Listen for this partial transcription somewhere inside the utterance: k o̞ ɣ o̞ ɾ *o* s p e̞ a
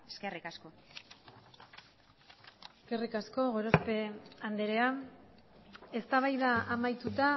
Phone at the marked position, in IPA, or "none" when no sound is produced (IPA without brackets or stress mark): o